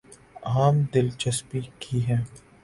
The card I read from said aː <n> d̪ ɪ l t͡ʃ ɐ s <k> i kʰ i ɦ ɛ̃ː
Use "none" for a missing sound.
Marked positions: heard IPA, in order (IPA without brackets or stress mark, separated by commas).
m, p